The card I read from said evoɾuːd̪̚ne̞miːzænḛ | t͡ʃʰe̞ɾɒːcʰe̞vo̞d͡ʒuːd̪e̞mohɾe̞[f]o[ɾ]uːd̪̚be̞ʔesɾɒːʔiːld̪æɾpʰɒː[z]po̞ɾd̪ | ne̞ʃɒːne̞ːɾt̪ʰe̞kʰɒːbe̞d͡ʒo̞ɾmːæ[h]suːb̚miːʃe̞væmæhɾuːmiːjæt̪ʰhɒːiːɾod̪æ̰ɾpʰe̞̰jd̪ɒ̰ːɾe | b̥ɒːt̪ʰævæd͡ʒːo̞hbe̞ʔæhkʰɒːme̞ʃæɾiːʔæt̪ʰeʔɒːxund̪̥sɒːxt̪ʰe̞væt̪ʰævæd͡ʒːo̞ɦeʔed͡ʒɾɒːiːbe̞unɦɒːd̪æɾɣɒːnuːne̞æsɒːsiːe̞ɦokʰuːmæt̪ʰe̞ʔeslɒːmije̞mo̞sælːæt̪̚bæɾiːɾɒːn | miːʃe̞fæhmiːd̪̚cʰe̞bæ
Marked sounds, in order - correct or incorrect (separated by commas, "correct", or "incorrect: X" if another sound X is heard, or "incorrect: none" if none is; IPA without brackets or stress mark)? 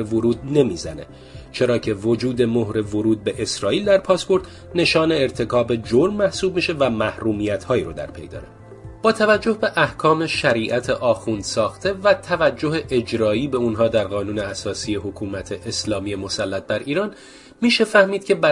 incorrect: v, correct, incorrect: s, correct